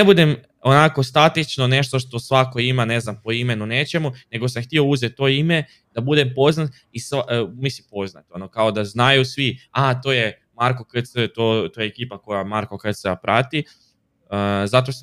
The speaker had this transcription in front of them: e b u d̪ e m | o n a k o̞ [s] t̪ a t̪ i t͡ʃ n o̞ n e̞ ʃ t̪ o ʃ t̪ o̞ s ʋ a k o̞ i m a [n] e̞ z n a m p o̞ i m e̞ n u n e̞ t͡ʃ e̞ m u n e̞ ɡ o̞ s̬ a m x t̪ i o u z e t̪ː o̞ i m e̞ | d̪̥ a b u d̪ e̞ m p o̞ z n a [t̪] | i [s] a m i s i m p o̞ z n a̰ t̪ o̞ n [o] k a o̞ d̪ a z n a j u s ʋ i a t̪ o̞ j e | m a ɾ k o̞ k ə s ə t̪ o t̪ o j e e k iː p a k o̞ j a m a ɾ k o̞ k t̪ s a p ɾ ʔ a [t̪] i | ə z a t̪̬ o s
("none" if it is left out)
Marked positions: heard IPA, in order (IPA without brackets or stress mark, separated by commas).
s, n, t̪, s, o, t̪